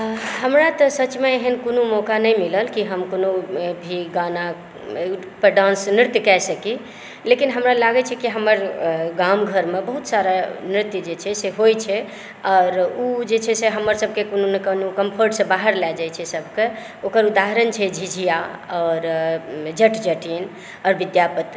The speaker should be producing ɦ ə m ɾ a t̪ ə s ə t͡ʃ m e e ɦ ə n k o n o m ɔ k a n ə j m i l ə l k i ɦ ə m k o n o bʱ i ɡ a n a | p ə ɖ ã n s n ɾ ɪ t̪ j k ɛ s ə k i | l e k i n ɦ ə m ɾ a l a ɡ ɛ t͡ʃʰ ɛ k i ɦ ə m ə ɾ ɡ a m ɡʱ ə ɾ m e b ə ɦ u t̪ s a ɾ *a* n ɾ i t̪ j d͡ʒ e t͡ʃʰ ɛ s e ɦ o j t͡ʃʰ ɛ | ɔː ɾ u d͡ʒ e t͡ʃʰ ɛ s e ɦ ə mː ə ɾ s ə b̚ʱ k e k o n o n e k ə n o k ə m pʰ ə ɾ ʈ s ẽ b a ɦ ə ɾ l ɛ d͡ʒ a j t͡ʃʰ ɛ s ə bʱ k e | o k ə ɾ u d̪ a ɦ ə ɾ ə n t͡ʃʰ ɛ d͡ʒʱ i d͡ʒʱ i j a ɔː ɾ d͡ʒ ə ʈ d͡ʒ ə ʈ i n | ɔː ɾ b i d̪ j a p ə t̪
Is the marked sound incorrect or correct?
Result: correct